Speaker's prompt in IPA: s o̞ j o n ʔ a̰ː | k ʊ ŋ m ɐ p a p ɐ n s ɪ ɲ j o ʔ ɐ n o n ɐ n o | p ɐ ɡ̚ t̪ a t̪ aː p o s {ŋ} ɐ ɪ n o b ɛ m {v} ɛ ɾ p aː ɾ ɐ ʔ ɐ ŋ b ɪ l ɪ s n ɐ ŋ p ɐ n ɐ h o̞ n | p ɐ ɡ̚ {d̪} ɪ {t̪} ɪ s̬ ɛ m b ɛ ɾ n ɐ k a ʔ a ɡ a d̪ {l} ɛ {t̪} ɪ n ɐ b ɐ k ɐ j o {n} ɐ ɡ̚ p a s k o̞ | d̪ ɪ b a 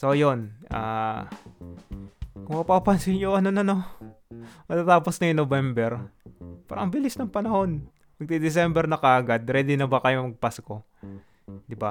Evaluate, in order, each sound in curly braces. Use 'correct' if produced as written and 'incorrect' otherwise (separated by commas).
incorrect, incorrect, incorrect, incorrect, incorrect, incorrect, incorrect